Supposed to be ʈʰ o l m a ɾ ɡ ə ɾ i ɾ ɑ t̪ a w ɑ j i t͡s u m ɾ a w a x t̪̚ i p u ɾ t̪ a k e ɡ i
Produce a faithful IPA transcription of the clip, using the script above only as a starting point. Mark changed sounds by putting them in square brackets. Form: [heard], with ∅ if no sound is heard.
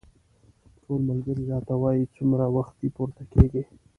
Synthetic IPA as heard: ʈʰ o l m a [l] ɡ ə ɾ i ɾ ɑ t̪ a w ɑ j i t͡s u m ɾ a w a x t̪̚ i p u ɾ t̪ a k e ɡ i

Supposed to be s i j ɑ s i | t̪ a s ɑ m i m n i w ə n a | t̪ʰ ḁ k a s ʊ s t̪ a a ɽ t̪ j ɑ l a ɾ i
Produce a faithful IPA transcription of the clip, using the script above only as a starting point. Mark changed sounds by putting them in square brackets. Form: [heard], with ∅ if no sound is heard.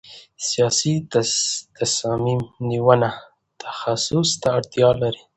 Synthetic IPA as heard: s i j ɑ s i | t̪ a s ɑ m i m n i w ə n a | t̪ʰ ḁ [x] a s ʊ s t̪ a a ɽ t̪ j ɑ l a ɾ i

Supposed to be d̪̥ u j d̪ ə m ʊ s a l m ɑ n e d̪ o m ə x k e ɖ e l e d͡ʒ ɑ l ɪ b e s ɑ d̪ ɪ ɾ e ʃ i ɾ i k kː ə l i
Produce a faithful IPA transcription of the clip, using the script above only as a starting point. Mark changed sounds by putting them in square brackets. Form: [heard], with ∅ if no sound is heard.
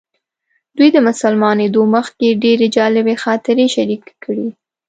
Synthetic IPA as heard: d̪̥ u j d̪ ə m ʊ s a l m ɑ n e d̪ o m ə x k e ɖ e [ɾ] e d͡ʒ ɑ l ɪ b e [x] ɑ [t̪] ɪ ɾ e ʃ [a] ɾ i k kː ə [ɽ] i

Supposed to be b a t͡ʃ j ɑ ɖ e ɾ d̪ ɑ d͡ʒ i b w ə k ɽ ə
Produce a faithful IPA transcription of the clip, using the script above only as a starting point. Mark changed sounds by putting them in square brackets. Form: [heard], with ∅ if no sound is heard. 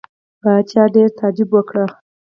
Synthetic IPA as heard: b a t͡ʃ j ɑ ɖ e ɾ [t̪] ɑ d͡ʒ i b w ə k ɽ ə

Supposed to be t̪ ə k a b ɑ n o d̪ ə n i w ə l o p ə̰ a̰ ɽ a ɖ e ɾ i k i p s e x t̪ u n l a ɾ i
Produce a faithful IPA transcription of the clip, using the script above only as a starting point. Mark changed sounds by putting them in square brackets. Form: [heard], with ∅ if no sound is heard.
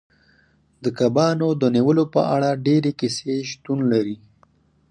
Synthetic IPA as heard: [d̪] ə k a b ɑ n o d̪ ə n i w ə l o p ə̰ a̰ ɽ a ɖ e ɾ [e] k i [∅] s e [ʃ] t̪ u n l a ɾ i

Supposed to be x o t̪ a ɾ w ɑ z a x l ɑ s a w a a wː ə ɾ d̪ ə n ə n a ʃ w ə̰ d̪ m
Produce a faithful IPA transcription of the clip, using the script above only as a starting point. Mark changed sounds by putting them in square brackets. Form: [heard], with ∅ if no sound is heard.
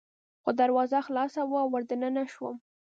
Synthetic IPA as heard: x o [d̪] a ɾ w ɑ z a x l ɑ s a w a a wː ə ɾ d̪ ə n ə n a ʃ w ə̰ [∅] m

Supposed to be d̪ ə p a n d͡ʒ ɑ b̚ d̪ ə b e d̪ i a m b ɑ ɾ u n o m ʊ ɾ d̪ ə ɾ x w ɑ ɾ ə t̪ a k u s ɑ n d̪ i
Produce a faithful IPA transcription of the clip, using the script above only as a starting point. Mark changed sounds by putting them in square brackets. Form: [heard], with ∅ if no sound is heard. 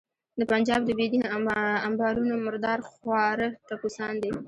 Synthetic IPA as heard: d̪ ə p a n d͡ʒ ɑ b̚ d̪ ə b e d̪ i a m b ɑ ɾ u n o m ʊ ɾ d̪ [ɑ] ɾ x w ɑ ɾ ə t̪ a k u s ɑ n d̪ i

